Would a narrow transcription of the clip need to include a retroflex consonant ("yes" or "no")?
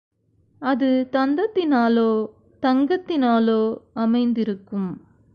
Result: no